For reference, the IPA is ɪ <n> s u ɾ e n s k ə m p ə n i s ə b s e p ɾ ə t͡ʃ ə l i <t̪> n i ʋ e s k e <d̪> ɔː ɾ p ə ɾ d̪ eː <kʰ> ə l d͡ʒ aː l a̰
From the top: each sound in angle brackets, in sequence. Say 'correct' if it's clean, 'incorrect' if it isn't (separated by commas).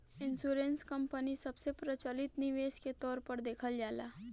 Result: correct, correct, incorrect, correct